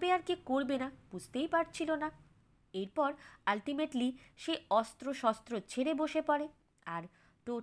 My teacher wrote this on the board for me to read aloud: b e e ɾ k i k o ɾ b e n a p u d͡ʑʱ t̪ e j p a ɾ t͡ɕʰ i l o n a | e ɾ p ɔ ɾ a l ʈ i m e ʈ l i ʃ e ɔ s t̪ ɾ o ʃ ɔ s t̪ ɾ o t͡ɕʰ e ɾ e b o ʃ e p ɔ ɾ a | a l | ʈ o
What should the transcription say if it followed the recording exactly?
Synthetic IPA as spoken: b e a ɾ k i k o ɾ b e n a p u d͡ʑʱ t̪ e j p a ɾ t͡ɕʰ i l o n a | e ɾ p ɔ ɾ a l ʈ i m e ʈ l i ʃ e ɔ s t̪ ɾ o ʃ ɔ s t̪ ɾ o t͡ɕʰ e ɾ e b o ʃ e p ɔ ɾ e | a ɾ | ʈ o